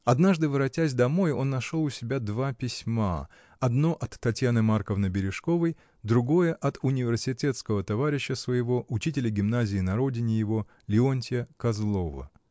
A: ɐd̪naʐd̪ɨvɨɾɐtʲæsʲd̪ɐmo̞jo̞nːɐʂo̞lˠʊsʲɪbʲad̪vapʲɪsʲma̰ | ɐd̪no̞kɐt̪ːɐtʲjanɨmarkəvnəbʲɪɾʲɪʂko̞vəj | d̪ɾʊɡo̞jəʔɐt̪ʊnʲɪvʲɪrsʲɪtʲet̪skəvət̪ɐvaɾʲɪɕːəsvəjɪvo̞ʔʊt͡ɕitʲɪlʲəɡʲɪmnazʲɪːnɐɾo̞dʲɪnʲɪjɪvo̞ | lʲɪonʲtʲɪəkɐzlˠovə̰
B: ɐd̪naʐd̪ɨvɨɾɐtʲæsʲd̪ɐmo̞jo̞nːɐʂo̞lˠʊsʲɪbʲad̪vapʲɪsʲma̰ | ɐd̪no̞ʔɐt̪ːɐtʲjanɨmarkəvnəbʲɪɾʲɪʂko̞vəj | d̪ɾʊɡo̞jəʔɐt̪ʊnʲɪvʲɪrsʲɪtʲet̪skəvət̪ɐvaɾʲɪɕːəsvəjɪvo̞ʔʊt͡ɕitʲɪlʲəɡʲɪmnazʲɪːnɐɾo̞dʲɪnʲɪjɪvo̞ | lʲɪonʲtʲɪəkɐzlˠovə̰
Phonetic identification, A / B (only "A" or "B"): B